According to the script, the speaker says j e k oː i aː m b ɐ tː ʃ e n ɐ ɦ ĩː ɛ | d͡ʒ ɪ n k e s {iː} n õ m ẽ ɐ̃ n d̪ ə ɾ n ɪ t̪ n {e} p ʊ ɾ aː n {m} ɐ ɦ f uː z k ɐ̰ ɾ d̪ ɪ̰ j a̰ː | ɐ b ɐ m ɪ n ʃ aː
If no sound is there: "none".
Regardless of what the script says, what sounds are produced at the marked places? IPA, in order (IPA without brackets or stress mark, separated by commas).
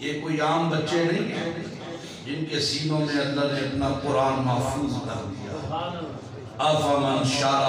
iː, a, m